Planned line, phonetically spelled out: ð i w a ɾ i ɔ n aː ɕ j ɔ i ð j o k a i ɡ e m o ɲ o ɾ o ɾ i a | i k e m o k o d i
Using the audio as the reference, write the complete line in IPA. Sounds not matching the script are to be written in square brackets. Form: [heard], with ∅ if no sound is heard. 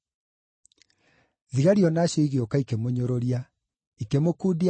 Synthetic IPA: ð i [ɣ] a ɾ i ɔ n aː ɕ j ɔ i [ɣ] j o k a i [k] e m o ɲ o ɾ o ɾ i a | i k e m o k [u] d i